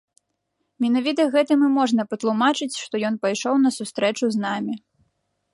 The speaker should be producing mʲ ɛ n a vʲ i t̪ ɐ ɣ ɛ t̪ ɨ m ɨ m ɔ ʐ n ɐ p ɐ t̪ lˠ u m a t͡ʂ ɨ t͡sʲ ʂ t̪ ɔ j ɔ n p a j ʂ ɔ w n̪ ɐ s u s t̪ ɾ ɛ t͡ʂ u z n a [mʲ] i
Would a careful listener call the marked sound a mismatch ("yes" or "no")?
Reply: no